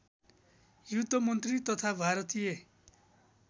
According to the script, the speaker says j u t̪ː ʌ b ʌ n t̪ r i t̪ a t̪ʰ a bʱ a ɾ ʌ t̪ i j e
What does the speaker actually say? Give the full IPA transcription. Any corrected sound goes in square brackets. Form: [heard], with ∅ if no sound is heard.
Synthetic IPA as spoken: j u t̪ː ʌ [m] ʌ n t̪ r i t̪ [ʌ] t̪ʰ a bʱ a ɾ ʌ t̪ i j e